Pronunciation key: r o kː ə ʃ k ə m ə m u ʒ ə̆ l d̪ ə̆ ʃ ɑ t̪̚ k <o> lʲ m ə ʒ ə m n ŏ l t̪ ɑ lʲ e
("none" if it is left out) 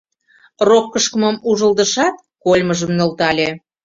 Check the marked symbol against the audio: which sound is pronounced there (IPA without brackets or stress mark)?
o